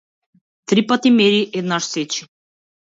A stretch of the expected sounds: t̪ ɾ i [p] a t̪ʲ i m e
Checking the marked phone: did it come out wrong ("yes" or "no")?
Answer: no